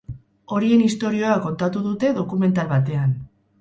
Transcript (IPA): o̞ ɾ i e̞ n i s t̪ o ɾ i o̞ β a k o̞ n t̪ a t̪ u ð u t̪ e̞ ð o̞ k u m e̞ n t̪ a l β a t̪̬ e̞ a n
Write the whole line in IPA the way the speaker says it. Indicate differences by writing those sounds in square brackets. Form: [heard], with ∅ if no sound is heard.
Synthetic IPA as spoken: o̞ ɾ i e̞ n i s t̪ o ɾ i o̞ [∅] a k o̞ n t̪ a t̪ u ð u t̪ e̞ ð o̞ k u m e̞ n t̪ a l β a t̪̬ e̞ a n